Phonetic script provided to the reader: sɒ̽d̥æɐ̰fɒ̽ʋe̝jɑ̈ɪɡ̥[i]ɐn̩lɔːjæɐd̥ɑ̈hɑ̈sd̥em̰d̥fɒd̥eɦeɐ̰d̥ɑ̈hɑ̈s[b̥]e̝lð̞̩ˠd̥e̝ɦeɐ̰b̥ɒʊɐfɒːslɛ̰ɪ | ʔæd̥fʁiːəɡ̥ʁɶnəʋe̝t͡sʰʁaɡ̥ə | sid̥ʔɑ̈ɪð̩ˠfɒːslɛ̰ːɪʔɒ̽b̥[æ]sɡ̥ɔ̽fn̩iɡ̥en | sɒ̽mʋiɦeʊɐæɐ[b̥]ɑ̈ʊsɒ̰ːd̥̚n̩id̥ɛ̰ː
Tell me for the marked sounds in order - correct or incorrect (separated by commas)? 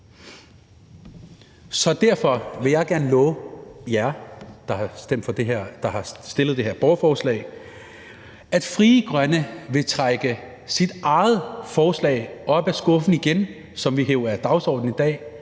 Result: incorrect, incorrect, correct, incorrect